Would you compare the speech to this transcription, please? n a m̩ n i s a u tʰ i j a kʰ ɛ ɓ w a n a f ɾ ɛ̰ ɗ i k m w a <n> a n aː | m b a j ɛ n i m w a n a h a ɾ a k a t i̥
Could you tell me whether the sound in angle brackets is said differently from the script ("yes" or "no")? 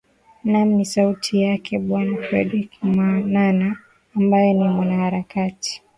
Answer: no